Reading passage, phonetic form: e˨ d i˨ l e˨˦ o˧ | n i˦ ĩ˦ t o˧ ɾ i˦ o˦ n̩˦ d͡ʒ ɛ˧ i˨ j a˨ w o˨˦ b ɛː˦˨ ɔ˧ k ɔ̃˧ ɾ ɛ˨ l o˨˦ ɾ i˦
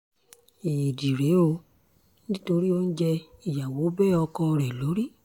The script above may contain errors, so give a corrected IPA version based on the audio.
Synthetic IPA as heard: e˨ d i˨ ɾ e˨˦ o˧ | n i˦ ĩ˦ t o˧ ɾ i˦ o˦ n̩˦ d͡ʒ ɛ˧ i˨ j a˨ w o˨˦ b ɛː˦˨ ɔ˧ k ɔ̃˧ ɾ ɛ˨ l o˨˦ ɾ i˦